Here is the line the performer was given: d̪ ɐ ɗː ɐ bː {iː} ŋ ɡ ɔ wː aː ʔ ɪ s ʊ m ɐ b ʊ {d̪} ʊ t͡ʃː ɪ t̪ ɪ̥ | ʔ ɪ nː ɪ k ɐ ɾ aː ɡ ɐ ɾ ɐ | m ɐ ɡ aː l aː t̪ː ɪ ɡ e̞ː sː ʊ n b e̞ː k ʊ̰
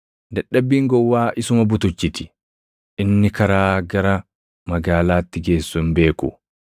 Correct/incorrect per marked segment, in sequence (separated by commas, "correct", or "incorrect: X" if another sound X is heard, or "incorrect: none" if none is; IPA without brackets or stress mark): correct, incorrect: t̪